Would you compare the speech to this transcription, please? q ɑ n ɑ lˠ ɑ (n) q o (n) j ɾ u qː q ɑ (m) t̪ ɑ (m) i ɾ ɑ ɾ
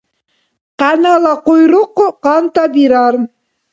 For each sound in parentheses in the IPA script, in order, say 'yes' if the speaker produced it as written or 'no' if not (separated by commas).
no, no, no, no